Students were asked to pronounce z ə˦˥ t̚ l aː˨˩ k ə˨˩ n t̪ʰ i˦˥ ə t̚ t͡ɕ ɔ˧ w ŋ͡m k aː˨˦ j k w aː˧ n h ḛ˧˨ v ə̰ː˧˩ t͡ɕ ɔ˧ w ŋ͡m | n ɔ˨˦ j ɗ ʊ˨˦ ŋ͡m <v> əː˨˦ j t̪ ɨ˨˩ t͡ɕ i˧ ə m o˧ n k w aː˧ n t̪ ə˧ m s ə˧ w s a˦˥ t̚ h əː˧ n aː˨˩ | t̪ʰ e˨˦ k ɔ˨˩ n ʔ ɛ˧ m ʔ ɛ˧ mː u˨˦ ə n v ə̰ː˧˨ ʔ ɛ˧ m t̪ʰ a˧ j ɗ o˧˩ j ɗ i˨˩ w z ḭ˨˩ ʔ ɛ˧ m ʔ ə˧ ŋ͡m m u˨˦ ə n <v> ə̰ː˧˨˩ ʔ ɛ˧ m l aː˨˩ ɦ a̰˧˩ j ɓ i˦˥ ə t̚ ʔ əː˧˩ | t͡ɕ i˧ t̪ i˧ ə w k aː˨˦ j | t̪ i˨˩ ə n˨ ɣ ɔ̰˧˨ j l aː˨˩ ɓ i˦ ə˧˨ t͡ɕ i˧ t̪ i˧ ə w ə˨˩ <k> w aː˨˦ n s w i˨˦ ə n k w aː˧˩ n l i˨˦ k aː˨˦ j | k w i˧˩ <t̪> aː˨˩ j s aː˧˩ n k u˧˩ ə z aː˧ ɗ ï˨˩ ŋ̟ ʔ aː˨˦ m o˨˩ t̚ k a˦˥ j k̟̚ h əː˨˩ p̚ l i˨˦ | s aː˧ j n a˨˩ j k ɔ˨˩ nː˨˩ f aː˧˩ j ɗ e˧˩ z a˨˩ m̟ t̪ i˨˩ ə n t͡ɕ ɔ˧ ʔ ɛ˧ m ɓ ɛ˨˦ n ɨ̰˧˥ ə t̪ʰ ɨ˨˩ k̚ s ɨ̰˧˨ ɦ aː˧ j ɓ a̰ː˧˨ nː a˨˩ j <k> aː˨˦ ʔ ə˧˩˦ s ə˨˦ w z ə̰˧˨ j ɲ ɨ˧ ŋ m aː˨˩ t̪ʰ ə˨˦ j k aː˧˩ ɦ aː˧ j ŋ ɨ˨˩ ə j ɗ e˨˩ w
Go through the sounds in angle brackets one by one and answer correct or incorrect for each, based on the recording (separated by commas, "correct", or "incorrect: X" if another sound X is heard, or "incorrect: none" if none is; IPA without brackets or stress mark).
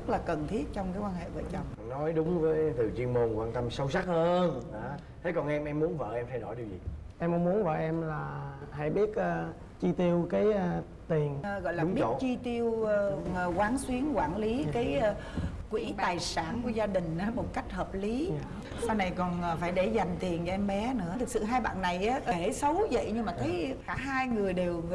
correct, correct, correct, correct, incorrect: ʔ